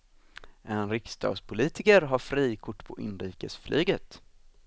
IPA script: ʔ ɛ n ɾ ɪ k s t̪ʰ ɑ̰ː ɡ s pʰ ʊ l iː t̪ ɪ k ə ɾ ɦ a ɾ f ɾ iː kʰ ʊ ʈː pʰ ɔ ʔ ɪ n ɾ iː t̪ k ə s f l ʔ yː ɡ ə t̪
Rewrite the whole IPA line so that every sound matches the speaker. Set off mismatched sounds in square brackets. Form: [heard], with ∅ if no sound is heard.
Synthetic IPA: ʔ ɛ n ɾ ɪ k s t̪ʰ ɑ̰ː ɡ s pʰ ʊ l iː t̪ ɪ k ə ɾ ɦ a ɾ f ɾ iː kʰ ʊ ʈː pʰ ɔ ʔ ɪ n ɾ iː [∅] k ə s f l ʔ yː ɡ ə t̪